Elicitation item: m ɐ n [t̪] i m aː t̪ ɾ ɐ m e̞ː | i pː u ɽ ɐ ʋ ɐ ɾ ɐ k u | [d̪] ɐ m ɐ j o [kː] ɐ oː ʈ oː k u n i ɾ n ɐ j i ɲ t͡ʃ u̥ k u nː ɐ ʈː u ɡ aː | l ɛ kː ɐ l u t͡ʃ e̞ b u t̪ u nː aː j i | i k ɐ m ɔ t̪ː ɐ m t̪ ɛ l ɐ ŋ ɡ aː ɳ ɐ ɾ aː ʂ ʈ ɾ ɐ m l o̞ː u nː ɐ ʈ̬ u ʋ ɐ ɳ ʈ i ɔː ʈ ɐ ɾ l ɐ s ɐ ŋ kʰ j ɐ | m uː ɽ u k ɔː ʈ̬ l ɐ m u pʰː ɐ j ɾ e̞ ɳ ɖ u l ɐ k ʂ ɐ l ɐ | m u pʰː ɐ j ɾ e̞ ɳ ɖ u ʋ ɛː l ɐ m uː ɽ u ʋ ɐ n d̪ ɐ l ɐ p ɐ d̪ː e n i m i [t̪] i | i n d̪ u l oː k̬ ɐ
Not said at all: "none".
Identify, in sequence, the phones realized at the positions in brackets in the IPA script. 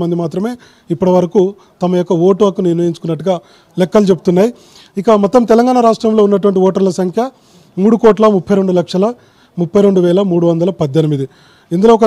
d̪, t̪, kː, d̪

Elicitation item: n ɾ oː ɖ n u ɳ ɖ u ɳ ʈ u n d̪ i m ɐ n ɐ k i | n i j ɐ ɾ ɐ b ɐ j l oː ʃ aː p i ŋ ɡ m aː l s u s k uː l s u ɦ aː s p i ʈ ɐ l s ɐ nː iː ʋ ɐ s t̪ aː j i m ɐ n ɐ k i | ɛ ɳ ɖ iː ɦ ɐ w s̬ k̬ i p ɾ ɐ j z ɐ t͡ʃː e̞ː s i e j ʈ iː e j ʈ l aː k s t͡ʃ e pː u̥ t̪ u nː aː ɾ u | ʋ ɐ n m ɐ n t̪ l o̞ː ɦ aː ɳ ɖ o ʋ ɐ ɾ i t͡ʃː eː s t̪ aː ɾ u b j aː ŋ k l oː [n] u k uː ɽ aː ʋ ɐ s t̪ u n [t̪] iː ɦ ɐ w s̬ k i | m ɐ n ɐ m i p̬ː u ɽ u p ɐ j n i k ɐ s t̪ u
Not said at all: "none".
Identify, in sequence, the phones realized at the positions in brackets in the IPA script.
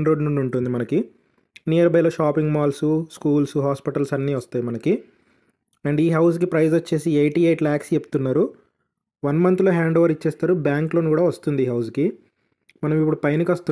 n, d̪

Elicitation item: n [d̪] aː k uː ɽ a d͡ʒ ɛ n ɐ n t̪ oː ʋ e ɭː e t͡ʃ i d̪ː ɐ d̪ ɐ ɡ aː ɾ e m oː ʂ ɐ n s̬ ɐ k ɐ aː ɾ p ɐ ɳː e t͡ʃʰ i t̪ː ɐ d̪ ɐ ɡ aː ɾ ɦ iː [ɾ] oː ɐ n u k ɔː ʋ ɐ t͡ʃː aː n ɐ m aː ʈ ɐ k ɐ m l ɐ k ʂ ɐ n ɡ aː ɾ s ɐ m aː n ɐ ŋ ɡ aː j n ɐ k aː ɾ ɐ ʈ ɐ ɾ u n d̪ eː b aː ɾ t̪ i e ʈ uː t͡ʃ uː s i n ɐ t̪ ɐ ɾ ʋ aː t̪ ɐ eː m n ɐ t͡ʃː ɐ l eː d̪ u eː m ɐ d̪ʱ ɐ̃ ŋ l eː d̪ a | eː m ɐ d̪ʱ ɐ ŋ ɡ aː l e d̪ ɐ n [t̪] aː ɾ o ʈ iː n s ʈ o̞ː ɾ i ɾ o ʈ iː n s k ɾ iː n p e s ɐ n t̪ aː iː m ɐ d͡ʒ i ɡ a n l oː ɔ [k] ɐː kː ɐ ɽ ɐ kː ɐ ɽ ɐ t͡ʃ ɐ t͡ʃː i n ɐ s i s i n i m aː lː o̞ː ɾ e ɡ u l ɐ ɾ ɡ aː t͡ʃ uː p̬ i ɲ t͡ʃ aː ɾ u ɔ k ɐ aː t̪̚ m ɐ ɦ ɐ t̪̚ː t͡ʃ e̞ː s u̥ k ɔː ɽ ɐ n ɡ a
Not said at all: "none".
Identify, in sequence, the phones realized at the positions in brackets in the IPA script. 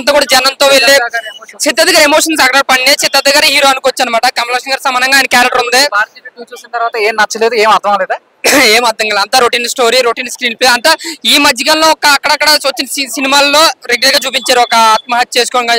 t̪, ɾ, t̪, k

